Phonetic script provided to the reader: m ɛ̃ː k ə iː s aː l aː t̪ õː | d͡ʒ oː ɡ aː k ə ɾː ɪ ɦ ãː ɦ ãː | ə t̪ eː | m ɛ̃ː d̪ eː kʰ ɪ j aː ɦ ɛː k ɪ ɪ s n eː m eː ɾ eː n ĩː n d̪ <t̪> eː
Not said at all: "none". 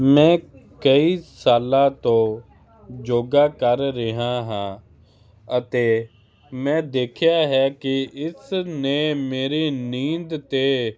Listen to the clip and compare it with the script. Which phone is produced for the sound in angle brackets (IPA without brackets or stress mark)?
t̪